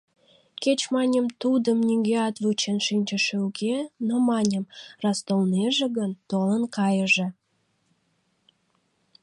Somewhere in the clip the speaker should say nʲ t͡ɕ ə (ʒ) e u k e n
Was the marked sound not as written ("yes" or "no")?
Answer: yes